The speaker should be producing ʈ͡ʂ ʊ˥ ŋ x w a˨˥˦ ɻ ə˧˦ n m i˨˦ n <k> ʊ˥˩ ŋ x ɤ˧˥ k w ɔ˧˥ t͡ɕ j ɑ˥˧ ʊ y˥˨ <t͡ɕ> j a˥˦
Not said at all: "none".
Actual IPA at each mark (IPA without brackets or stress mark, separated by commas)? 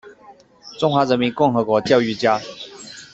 k, t͡ɕ